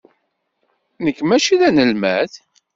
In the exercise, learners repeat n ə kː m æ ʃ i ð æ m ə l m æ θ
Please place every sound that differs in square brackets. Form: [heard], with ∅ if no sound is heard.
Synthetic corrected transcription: n ə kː m æ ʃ i ð æ [n] ə l m æ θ